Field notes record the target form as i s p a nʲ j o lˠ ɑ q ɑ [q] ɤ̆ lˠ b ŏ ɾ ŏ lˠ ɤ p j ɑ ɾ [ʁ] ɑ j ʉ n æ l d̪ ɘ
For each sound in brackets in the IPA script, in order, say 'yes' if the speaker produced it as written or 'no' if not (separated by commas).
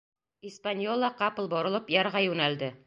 no, yes